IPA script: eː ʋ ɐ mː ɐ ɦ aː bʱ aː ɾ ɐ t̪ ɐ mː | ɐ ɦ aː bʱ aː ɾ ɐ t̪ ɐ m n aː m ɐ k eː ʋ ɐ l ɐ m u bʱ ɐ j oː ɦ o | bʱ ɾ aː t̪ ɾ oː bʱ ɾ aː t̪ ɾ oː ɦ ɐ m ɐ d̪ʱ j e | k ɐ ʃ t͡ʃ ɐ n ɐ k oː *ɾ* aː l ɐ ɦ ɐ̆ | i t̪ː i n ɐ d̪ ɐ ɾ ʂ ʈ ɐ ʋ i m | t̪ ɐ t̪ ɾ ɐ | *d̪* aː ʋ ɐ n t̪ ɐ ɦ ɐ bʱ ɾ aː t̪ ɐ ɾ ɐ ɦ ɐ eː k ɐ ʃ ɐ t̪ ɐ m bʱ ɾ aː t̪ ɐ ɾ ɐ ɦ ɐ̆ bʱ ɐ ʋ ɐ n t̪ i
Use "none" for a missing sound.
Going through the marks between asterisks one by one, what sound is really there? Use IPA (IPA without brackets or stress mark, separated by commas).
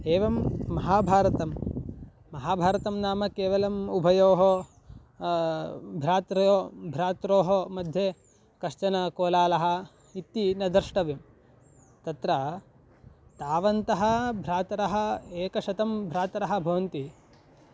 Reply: l, t̪